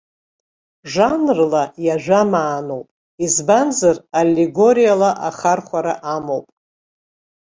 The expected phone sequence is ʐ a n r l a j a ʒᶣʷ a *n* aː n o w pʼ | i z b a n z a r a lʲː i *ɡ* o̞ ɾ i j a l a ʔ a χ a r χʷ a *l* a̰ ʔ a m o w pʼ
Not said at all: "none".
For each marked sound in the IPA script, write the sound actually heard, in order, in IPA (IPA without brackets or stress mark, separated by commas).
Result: m, ɡ, ɾ